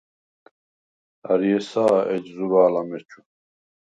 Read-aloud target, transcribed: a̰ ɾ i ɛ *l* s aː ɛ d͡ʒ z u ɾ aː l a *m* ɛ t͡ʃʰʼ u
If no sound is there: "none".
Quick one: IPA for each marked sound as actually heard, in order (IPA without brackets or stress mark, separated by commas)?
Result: none, m